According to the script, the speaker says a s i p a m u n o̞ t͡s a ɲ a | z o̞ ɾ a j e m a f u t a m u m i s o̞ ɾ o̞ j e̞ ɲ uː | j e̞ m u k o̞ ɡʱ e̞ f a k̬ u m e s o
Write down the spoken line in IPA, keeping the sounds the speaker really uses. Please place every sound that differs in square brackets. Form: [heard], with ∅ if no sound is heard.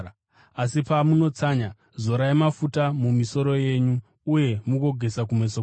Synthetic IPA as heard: a s i p a m u n o̞ t͡s a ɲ a | z o̞ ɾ a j e m a f u t a m u m i s o̞ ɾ o̞ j e̞ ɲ uː | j e̞ m u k o̞ ɡʱ e̞ [s] a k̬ u m e s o